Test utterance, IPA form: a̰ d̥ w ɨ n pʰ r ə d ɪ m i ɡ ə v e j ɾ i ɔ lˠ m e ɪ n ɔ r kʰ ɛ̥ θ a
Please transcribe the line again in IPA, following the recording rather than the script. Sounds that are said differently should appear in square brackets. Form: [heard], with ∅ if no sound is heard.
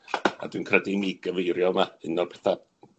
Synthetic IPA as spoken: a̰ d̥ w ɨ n [kʰ] r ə d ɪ m i ɡ ə v e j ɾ [j] ɔ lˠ m [a] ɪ n ɔ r [pʰ] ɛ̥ θ a